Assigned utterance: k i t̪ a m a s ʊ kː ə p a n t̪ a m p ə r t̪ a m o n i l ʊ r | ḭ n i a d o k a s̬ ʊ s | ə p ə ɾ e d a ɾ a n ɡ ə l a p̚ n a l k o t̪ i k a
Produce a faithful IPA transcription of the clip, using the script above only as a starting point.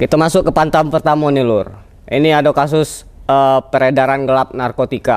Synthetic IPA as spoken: k i t̪ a m a s ʊ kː ə p a n t̪ a m p ə r t̪ a m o n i l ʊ r | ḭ n i a d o k a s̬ ʊ s | ə p ə ɾ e d a ɾ a n ɡ ə l a p̚ n a r k o t̪ i k a